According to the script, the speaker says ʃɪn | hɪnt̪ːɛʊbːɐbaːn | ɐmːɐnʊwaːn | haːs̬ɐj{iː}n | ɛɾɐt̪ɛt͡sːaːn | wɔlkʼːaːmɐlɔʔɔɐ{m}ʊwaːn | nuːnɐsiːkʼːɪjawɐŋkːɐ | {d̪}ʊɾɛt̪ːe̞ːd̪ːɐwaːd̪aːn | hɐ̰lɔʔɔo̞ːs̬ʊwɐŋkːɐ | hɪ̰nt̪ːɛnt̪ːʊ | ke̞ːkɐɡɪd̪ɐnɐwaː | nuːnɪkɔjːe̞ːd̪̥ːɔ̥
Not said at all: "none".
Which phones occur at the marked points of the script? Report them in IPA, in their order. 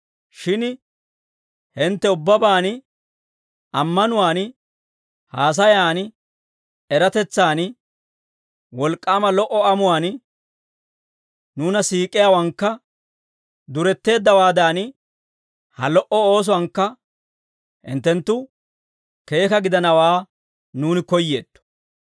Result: aː, m, d̪

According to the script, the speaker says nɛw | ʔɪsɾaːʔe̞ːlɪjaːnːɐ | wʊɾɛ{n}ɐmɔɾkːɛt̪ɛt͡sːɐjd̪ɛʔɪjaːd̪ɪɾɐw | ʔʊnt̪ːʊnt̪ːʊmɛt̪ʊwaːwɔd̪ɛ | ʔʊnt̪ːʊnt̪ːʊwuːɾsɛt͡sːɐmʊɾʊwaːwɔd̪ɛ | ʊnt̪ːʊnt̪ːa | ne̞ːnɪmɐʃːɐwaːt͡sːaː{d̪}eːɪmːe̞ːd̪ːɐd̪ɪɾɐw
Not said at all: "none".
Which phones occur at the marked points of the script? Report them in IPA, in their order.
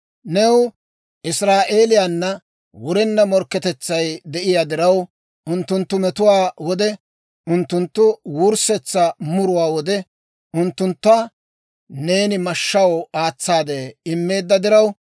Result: nː, d̪

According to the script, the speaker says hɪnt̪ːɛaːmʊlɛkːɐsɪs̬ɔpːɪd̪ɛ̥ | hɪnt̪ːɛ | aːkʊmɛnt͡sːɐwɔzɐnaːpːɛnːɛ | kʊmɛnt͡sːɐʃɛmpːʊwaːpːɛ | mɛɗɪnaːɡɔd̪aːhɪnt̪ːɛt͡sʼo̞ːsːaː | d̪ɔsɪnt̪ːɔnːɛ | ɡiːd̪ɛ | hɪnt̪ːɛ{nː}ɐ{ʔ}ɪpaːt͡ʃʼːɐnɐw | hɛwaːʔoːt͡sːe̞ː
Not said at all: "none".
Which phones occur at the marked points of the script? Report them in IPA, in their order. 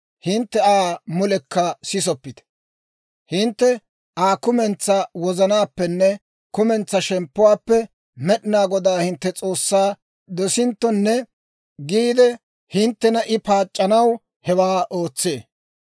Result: n, ʔ

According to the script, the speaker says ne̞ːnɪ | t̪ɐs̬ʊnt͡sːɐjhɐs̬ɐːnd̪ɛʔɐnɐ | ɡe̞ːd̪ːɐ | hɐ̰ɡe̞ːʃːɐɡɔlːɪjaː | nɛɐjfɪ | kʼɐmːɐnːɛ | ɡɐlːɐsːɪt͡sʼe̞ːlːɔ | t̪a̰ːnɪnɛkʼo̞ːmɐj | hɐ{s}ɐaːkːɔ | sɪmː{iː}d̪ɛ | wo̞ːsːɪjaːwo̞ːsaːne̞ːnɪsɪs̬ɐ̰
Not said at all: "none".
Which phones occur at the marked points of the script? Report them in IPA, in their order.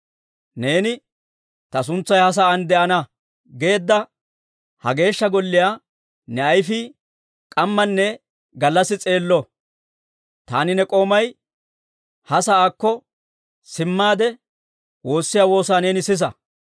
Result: s, aː

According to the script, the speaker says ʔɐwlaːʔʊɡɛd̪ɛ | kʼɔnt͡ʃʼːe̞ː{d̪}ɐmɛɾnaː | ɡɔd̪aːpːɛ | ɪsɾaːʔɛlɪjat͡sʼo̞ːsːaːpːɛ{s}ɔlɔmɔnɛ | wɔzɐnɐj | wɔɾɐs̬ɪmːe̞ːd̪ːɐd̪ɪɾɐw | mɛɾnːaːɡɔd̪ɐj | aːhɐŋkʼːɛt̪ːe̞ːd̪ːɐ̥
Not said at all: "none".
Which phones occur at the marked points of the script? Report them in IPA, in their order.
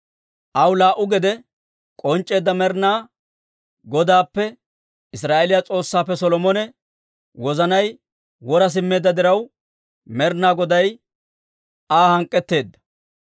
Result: d̪ː, s

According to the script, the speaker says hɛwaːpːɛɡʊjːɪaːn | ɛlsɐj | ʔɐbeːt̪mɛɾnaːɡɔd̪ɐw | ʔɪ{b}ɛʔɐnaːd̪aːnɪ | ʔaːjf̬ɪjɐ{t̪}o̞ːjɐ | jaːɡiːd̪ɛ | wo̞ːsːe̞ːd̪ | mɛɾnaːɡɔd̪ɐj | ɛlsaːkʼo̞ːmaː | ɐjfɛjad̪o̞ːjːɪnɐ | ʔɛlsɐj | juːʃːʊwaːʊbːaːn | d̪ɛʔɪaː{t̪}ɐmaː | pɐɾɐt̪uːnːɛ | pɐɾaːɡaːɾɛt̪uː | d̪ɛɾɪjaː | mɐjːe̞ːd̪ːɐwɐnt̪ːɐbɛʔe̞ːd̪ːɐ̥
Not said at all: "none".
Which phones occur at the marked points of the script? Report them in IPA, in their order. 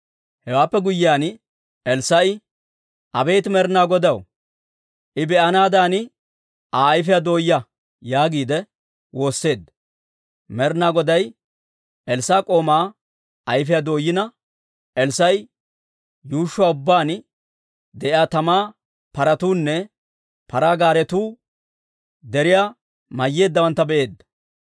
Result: b, d̪, t̪

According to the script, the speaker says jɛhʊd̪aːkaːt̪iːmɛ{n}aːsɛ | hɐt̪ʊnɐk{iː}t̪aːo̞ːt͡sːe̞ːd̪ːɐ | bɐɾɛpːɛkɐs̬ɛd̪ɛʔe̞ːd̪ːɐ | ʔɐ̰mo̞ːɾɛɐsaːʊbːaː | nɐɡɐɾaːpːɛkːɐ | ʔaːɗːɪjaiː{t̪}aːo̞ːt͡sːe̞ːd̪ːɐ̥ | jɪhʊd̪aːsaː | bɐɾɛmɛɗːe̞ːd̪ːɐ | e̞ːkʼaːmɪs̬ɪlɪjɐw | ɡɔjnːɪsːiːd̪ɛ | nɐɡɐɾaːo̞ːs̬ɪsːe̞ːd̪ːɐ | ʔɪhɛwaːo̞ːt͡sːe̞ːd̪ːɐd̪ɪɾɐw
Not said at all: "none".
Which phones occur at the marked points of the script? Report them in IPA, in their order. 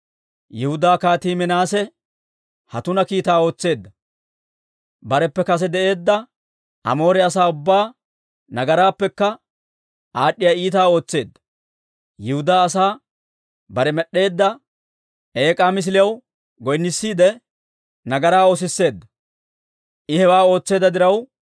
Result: n, iː, t̪

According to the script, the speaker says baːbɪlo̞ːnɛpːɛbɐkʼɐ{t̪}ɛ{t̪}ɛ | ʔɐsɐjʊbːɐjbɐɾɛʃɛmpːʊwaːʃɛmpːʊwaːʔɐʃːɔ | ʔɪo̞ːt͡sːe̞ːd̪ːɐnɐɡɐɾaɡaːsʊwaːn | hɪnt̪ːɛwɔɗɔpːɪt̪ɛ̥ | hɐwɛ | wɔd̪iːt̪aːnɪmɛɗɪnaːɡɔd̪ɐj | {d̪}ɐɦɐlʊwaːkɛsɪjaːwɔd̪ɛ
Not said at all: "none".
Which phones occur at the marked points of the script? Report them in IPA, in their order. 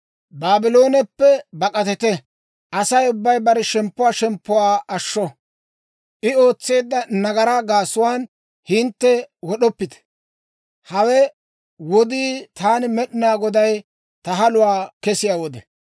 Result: t̪, t̪, t̪

